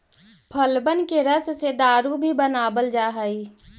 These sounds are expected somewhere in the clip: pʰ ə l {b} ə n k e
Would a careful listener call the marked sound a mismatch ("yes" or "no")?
no